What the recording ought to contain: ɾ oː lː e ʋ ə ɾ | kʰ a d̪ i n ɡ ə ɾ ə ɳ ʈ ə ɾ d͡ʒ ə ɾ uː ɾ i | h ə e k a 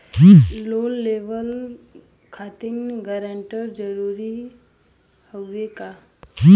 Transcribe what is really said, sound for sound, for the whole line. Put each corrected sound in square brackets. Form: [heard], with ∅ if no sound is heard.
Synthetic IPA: [l] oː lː e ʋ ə [l] | kʰ a [t̪] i n ɡ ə ɾ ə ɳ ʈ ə ɾ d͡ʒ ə ɾ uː ɾ i | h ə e k a